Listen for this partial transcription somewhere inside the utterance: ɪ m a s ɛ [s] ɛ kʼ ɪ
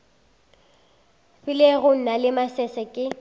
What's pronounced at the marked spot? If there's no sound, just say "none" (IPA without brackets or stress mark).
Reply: s